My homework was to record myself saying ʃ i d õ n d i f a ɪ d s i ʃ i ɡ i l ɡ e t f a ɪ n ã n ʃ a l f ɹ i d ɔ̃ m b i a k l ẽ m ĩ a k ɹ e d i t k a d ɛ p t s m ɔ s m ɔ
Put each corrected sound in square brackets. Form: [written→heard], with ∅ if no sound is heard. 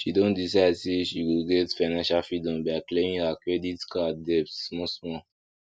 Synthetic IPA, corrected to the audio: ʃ i d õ n d i [f→s] a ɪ d s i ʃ i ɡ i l ɡ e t f a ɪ n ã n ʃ a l f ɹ i d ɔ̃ m b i a k l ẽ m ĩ a k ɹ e d i t k a d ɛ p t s m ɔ s m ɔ